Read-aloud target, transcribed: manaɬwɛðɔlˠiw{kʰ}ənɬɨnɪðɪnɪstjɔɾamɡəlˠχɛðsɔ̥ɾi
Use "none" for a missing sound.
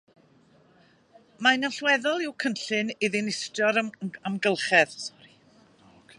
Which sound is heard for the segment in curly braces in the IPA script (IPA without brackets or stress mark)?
kʰ